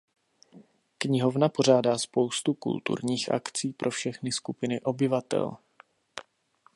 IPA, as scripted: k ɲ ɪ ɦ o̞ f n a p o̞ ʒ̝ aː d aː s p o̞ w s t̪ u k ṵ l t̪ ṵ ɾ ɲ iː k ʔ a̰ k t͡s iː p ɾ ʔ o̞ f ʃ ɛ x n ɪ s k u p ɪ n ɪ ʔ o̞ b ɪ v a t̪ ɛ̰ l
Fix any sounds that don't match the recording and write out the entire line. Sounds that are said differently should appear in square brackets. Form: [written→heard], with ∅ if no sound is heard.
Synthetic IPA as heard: k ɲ ɪ ɦ o̞ [f→v] n a p o̞ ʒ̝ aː d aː s p o̞ w s t̪ u k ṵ l t̪ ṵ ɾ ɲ iː [k→x] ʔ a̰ k t͡s iː p ɾ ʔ o̞ f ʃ ɛ x n ɪ s k u p ɪ n ɪ ʔ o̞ b ɪ v a t̪ ɛ̰ l